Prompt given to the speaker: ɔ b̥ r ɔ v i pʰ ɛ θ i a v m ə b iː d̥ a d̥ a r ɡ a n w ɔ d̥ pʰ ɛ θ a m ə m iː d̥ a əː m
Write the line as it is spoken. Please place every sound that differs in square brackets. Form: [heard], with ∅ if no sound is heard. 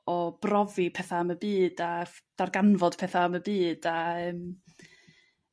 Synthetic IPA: ɔ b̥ r ɔ v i pʰ ɛ θ [a] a [∅] m ə b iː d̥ a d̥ a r ɡ a n [v] ɔ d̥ pʰ ɛ θ a m ə [b] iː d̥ a əː m